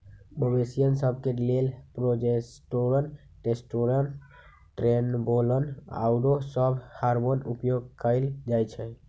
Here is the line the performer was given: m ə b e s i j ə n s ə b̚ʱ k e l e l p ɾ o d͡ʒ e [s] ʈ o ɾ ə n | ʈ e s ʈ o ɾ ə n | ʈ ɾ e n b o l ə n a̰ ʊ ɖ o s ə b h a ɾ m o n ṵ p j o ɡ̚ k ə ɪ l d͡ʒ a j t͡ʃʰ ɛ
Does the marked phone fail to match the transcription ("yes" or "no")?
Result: no